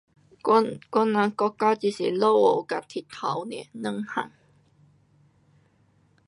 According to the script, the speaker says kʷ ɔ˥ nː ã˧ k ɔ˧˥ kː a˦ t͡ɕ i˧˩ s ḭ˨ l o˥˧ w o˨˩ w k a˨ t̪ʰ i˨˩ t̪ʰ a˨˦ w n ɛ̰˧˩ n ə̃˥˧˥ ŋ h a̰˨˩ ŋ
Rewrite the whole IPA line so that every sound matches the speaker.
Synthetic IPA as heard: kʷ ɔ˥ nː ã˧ k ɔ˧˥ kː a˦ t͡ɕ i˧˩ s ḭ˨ l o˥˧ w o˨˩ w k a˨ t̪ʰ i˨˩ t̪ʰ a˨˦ w n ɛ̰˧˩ n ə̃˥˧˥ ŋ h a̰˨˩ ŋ